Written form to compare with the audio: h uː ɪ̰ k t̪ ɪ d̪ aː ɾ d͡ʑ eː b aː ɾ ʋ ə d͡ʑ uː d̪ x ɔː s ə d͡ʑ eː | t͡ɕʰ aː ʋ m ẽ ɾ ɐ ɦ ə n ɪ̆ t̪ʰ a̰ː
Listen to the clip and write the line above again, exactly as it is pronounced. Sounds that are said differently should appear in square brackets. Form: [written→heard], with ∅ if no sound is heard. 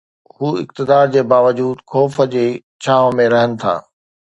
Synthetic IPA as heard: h uː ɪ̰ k t̪ ɪ d̪ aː ɾ d͡ʑ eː b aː [ɾ→∅] ʋ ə d͡ʑ uː d̪ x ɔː [s→f] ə d͡ʑ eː | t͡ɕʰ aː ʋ m ẽ ɾ ɐ ɦ ə n ɪ̆ t̪ʰ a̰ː